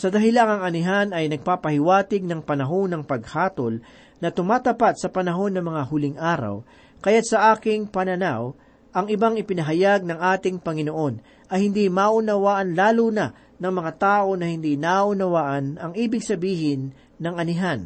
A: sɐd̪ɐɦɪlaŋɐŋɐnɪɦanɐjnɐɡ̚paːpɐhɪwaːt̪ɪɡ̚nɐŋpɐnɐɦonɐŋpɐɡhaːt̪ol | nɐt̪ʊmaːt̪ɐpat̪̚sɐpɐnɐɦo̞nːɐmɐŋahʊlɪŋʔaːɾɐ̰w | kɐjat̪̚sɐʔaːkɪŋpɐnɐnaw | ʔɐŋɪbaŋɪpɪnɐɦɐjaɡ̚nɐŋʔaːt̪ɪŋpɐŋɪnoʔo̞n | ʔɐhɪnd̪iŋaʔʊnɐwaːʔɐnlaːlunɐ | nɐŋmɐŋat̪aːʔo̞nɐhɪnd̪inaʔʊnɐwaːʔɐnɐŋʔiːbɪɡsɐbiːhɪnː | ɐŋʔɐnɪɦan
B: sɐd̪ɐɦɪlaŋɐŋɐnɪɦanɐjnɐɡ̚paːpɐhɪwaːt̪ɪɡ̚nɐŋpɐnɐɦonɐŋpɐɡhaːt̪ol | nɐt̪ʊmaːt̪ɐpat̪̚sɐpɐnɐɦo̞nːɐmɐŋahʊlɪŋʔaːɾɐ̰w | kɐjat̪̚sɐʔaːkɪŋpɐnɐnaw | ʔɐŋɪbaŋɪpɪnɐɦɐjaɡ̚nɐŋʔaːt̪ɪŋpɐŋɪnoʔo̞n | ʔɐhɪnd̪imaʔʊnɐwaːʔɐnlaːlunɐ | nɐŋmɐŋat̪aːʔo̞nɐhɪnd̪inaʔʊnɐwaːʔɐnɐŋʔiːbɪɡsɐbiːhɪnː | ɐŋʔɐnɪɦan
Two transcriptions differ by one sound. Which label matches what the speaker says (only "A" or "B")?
B